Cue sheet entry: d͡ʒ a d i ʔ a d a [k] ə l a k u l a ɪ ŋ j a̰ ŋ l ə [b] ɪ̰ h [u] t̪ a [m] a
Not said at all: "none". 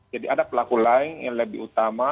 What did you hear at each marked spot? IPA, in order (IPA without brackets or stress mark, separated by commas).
p, b, u, m